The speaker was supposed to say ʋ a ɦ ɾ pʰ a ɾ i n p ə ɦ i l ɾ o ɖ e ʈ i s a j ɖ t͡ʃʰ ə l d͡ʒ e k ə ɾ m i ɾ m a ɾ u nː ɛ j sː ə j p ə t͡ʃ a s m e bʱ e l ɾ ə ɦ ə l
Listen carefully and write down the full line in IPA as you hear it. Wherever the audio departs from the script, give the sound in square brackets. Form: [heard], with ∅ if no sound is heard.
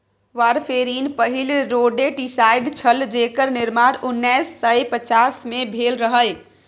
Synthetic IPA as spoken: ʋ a [∅] ɾ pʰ [e] ɾ i n p ə ɦ i l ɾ o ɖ e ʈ i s a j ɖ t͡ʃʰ ə l d͡ʒ e k ə ɾ [n] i ɾ m a ɾ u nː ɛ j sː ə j p ə t͡ʃ a s m e bʱ e l ɾ ə ɦ ə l